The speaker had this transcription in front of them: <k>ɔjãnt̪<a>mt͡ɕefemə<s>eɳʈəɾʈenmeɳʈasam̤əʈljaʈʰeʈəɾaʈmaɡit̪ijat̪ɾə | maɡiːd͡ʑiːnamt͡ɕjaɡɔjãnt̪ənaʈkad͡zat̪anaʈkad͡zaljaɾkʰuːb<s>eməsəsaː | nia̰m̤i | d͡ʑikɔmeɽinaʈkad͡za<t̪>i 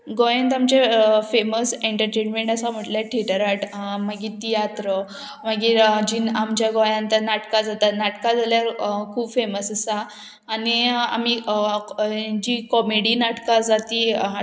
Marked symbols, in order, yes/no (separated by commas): no, yes, yes, no, yes